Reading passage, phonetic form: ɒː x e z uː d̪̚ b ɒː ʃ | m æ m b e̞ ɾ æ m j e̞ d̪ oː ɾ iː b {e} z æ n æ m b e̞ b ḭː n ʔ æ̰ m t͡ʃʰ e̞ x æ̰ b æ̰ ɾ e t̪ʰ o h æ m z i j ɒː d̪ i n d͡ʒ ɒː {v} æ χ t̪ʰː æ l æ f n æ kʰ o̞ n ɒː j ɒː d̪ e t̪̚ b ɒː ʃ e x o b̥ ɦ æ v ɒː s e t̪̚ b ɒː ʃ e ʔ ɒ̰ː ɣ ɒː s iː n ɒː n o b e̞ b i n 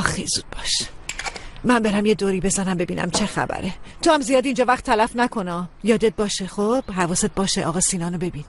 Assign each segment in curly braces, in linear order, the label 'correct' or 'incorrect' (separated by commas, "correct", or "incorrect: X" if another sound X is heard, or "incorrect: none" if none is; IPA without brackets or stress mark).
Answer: correct, correct